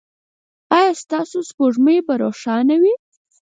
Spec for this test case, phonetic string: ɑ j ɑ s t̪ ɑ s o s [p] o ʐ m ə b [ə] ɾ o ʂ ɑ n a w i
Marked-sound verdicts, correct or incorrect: correct, incorrect

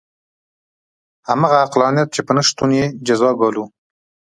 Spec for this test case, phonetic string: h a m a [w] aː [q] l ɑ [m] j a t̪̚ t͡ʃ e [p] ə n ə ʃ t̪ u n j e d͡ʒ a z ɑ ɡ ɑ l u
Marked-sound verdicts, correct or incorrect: incorrect, correct, incorrect, correct

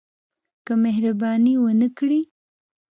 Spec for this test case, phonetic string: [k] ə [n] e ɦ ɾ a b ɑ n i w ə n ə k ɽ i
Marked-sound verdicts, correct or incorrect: correct, incorrect

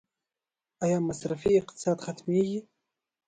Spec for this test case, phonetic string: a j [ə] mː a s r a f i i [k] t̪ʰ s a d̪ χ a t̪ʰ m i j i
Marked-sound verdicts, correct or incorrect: incorrect, incorrect

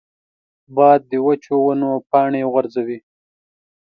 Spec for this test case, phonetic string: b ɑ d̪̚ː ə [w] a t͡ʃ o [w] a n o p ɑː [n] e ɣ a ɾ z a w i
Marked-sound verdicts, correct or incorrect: correct, correct, incorrect

